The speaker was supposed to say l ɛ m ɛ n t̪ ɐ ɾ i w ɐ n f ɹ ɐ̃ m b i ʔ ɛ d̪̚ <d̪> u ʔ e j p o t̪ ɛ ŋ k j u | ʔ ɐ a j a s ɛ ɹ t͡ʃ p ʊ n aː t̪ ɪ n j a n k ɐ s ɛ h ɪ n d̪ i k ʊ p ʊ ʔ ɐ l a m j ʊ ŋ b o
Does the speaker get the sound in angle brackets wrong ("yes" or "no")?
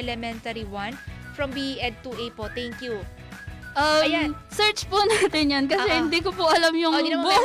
yes